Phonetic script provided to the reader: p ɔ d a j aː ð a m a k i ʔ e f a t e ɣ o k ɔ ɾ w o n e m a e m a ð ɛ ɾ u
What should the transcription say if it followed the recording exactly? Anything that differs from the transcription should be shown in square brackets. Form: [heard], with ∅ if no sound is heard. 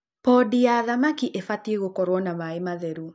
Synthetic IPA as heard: p ɔ d [i] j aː ð a m a k i ʔ e f a t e ɣ o k ɔ ɾ w [ɔ] n [a] m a e m a ð ɛ ɾ u